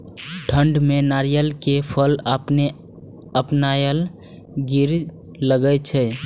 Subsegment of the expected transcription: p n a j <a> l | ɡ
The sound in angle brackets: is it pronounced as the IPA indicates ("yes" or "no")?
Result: no